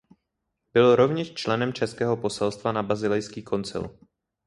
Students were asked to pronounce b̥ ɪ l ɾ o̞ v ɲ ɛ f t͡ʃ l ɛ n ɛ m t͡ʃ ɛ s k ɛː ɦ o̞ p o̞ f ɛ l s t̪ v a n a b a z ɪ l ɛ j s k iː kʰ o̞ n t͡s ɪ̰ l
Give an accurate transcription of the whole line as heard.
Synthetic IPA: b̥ ɪ l ɾ o̞ v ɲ ɛ ʃ t͡ʃ l ɛ n ɛ m t͡ʃ ɛ s k ɛː ɦ o̞ p o̞ s ɛ l s t̪ v a n a b a z ɪ l ɛ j s k iː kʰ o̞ n t͡s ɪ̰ l